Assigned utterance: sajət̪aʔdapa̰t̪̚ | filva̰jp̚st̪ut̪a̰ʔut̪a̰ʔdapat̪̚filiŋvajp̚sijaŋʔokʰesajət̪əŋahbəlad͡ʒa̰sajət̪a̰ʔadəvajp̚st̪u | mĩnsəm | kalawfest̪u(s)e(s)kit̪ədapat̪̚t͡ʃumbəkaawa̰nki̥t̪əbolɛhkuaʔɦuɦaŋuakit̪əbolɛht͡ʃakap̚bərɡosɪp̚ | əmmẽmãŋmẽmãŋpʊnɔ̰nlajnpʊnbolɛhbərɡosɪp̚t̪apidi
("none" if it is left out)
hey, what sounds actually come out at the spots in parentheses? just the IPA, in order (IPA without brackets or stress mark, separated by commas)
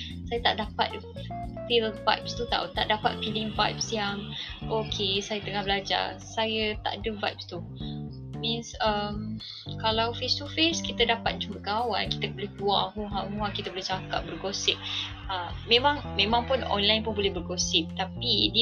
f, s